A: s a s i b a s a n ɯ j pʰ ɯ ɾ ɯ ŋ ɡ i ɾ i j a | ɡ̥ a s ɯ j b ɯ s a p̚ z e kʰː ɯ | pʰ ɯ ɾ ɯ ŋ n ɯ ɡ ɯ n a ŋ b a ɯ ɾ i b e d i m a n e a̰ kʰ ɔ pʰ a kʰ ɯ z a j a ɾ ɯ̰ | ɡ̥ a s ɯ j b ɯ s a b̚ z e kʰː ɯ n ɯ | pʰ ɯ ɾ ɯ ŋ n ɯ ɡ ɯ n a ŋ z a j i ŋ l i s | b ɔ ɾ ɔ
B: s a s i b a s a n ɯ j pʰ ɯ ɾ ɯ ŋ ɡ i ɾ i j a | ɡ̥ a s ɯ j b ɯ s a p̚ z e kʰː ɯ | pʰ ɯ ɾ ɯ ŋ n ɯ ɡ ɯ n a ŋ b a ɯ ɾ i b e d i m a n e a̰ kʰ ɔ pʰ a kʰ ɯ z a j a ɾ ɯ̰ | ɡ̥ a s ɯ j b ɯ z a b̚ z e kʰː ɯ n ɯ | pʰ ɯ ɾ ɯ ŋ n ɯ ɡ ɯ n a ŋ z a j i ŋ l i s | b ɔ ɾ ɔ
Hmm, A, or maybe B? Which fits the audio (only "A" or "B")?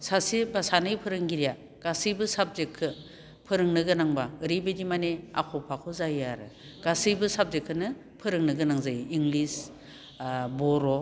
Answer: A